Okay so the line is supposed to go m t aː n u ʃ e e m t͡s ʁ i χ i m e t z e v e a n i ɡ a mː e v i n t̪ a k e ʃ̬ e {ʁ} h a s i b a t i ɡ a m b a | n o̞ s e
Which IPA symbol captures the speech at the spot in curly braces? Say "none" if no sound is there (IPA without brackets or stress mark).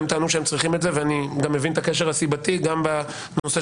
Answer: ʁ